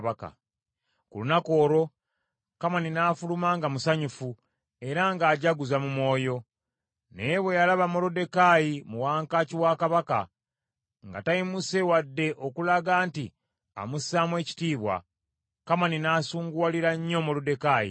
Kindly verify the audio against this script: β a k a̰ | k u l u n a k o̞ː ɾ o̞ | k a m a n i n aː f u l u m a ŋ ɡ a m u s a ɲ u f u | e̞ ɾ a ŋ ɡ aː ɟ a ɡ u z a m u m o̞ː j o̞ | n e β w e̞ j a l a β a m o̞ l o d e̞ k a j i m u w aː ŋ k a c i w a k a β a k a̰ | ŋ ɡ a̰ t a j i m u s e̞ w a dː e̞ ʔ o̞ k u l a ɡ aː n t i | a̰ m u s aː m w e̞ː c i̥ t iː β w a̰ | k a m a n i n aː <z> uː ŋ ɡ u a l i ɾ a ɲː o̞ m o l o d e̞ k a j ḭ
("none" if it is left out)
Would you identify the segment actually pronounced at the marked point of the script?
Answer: s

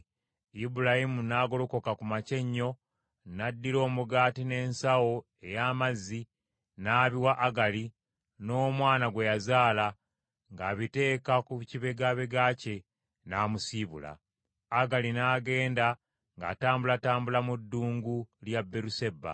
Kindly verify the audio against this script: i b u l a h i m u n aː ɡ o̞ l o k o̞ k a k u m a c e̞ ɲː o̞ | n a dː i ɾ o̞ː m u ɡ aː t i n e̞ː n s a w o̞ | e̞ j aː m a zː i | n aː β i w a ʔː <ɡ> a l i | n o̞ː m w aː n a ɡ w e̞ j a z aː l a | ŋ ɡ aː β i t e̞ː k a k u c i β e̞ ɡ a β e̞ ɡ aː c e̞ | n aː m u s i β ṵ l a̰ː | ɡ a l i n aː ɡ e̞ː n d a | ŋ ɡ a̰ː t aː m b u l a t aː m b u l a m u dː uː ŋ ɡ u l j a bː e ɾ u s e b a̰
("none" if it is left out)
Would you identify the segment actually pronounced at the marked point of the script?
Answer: ɡ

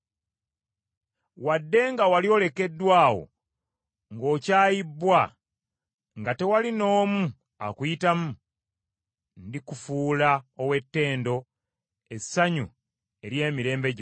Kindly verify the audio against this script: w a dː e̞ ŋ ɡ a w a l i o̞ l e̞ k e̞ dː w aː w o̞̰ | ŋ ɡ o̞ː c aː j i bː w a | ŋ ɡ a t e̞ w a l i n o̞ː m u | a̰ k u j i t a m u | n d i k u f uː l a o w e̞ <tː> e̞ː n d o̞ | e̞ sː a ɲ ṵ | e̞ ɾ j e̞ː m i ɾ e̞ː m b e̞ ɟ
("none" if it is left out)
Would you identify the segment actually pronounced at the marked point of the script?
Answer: tː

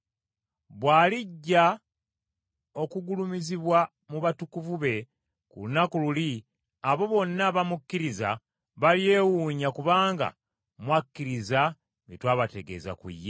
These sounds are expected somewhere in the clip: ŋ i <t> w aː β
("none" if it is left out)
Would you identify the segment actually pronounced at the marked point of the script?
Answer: t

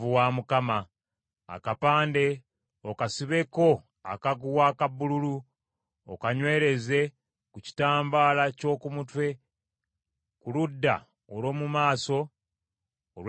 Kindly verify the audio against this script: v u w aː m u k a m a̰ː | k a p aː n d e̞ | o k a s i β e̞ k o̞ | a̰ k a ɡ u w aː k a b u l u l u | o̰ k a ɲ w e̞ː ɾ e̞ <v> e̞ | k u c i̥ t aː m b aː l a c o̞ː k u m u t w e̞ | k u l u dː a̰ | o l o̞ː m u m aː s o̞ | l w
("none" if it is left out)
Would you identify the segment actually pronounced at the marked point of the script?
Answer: z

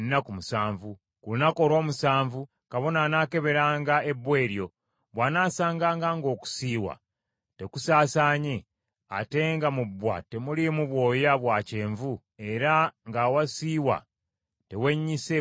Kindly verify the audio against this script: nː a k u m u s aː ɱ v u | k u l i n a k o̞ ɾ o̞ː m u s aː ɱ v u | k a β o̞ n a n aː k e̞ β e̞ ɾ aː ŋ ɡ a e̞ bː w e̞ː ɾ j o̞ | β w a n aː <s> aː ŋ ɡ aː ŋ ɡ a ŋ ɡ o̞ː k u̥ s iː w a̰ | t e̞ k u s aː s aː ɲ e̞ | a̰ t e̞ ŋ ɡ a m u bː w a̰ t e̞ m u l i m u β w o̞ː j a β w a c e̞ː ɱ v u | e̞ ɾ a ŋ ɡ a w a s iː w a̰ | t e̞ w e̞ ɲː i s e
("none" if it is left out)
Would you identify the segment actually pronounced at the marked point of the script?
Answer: s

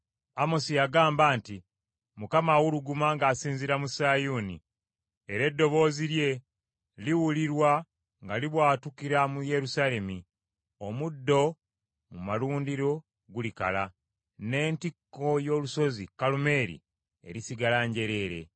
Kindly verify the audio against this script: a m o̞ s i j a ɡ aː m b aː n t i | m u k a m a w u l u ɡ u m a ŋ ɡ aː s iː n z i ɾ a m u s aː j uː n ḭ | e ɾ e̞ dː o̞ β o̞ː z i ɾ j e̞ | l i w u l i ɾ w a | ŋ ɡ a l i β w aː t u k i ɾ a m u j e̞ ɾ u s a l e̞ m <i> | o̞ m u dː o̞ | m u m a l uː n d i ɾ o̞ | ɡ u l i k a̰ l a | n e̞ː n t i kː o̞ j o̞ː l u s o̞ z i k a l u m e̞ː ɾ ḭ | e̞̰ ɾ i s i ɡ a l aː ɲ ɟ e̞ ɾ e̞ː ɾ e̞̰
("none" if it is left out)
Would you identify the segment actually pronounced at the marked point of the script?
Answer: i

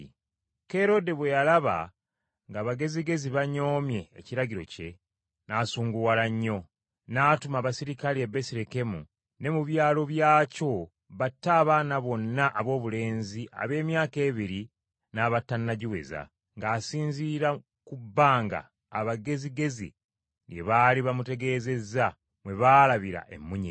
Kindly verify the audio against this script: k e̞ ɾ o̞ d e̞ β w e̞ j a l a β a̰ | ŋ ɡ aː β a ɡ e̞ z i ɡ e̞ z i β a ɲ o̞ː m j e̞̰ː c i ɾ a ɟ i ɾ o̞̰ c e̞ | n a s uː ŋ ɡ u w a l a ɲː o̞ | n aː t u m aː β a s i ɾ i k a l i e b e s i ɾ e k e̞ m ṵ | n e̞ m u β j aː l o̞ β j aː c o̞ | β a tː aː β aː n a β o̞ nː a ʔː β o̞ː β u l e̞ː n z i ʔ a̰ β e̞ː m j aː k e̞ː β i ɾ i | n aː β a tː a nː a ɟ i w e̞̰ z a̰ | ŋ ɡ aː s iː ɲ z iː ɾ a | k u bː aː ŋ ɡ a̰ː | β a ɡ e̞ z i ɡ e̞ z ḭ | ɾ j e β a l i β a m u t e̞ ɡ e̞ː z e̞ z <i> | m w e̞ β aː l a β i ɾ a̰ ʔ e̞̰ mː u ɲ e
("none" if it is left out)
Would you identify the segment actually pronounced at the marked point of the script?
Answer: a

